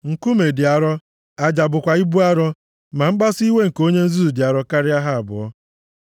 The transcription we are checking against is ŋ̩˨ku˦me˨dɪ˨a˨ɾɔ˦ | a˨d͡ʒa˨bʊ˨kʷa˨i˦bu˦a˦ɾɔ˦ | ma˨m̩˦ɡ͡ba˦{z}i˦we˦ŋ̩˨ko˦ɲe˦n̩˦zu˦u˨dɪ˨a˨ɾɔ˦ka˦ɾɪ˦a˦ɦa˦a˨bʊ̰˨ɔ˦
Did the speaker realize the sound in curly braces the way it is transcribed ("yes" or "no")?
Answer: no